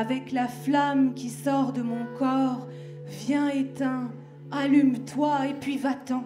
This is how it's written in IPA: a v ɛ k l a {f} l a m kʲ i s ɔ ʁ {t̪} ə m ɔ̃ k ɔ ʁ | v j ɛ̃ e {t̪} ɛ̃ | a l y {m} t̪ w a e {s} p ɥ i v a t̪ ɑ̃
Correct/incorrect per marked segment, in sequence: correct, incorrect: d̪, correct, correct, incorrect: none

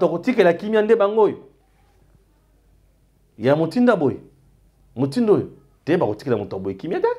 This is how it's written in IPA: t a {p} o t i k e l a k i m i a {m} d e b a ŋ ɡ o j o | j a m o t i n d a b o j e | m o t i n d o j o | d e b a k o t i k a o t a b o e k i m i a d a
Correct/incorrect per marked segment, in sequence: incorrect: k, incorrect: n

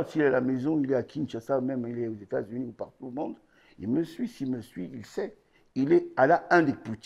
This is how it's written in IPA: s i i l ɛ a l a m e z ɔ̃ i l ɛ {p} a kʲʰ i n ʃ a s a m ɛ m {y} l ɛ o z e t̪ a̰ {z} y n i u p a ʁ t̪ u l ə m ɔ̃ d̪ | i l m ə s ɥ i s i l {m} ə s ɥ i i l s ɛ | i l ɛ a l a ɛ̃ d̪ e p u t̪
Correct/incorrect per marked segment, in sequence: incorrect: none, incorrect: i, correct, correct

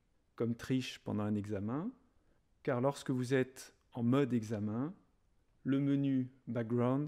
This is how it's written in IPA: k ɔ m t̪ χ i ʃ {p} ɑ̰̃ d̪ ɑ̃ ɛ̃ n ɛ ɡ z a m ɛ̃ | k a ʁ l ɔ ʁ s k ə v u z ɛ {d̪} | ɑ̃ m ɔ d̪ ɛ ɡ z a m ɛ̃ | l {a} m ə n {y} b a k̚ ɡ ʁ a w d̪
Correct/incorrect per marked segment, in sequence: correct, incorrect: t̪, incorrect: ə, correct

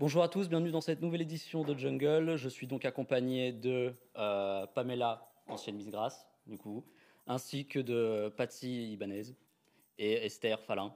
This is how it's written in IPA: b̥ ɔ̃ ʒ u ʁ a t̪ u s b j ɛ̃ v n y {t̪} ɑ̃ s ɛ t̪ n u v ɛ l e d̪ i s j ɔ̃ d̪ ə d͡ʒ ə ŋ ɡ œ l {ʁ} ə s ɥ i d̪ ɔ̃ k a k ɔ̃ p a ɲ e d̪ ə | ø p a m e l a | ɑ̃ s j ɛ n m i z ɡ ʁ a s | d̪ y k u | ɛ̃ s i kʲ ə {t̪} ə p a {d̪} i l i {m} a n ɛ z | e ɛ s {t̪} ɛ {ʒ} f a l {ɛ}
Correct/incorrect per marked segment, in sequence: incorrect: d̪, incorrect: ʒ, incorrect: d̪, incorrect: t̪, incorrect: b, correct, incorrect: ʁ, incorrect: ɛ̃

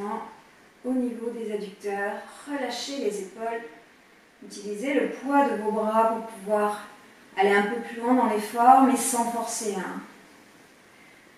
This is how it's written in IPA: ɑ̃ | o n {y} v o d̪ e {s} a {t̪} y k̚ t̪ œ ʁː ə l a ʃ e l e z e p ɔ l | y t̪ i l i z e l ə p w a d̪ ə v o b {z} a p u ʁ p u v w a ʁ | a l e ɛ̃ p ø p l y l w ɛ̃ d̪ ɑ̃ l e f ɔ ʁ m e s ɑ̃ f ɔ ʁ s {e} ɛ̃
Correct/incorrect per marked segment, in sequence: incorrect: i, incorrect: z, incorrect: d̪, incorrect: ʁ, correct

